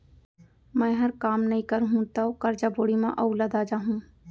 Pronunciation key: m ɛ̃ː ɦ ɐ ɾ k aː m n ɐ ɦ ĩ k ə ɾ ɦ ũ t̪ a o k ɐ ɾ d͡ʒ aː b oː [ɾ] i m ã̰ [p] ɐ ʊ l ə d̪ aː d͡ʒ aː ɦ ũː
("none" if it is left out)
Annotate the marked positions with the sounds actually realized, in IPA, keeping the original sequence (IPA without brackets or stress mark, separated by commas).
ɽ, ʔ